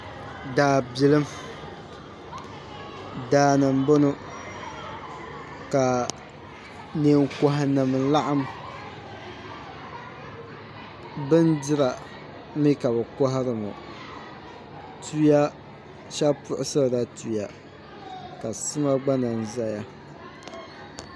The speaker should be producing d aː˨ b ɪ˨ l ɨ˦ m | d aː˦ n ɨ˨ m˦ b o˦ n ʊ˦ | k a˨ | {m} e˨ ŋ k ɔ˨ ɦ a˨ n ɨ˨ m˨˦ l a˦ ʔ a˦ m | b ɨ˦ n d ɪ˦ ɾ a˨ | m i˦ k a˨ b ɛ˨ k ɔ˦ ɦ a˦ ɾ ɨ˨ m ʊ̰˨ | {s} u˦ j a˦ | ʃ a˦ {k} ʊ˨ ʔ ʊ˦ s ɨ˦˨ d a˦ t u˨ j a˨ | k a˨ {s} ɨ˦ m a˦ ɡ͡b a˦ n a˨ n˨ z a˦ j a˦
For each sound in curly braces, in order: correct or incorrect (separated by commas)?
incorrect, incorrect, incorrect, correct